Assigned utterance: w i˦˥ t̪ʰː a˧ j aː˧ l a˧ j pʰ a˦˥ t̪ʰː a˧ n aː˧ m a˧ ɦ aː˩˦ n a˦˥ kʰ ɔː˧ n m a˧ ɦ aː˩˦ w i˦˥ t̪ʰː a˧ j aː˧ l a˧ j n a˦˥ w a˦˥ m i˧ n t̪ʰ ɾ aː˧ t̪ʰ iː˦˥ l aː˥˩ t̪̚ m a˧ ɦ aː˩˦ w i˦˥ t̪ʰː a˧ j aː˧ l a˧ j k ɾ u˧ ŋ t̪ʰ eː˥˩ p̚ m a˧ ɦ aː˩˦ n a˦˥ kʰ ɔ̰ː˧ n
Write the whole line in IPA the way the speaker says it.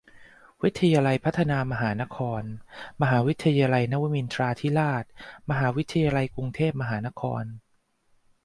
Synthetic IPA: w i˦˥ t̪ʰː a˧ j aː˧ l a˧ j pʰ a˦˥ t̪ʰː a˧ n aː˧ m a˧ ɦ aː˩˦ n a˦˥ kʰ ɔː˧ n m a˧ ɦ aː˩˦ w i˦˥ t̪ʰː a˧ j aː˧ l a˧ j n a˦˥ w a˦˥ m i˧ n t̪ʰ ɾ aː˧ t̪ʰ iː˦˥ l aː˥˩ t̪̚ m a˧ ɦ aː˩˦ w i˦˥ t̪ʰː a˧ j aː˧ l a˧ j k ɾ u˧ ŋ t̪ʰ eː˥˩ p̚ m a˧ ɦ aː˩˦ n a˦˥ kʰ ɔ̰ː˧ n